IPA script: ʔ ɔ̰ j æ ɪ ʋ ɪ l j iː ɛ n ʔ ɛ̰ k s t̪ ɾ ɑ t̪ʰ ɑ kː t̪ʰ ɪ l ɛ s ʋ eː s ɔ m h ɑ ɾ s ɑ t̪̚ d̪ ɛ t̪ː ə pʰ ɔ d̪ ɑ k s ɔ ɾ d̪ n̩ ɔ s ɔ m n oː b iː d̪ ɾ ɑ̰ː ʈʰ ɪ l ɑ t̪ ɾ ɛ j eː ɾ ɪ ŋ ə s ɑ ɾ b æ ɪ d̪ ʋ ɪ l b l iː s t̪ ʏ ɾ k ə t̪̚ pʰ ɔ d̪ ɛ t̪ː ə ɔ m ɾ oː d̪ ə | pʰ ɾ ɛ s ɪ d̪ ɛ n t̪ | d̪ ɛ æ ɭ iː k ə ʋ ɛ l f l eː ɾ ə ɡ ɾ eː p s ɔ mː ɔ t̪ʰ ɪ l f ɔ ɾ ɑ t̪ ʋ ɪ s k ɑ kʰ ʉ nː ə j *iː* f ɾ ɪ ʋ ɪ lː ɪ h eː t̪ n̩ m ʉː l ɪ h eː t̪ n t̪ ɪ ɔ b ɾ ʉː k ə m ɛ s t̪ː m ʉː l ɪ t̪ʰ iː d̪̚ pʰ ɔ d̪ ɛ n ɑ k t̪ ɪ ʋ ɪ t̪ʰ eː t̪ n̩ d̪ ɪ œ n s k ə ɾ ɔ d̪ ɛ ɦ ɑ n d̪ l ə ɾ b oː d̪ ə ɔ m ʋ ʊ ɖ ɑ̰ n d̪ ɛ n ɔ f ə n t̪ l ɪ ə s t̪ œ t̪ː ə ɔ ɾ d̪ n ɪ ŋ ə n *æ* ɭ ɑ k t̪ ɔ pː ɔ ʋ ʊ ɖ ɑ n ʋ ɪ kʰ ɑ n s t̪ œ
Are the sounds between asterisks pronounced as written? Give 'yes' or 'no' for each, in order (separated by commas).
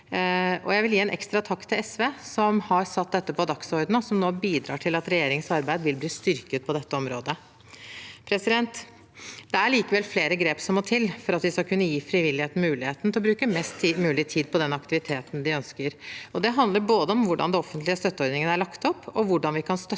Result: yes, yes